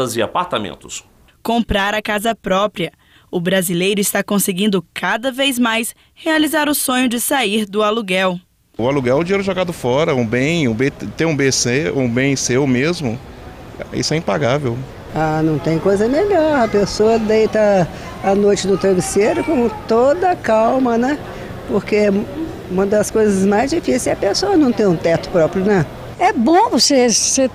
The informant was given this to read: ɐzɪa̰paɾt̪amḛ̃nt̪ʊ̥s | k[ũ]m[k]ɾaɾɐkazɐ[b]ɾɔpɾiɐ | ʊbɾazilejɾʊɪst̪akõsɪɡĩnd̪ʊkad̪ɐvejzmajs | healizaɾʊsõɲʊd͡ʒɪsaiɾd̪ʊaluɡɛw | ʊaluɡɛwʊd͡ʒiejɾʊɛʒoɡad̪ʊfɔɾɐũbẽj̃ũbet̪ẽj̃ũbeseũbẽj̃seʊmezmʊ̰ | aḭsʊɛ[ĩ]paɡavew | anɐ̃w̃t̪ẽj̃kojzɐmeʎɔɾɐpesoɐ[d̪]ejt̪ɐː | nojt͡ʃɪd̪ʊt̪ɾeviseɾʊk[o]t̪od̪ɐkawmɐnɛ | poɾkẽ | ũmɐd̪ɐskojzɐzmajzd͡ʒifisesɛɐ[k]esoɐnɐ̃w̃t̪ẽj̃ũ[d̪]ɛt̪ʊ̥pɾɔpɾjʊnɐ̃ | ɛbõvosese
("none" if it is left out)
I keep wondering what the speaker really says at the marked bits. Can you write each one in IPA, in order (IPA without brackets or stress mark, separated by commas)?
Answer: õ, p, p, ĩ, d̪, õ, p, t̪